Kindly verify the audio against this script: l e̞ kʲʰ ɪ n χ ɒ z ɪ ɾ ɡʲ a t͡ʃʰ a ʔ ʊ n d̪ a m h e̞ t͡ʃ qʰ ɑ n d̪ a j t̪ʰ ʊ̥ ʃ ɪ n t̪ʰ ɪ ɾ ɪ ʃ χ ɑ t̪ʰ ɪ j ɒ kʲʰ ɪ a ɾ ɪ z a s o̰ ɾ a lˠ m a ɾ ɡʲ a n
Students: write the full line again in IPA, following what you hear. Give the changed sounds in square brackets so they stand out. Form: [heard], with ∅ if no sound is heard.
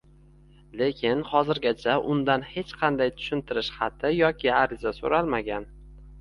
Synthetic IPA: l e̞ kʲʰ ɪ n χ ɒ z ɪ ɾ ɡʲ a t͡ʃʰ a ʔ ʊ n d̪ a [n] h e̞ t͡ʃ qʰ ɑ n d̪ a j t̪ʰ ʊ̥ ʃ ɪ n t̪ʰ ɪ ɾ ɪ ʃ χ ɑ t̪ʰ ɪ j ɒ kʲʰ ɪ a ɾ ɪ z a s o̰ ɾ a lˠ m a [∅] ɡʲ a n